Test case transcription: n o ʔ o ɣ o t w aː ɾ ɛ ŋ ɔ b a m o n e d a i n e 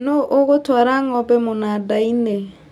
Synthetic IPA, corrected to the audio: n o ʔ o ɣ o t w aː ɾ a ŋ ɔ b ɛ m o n a d a i n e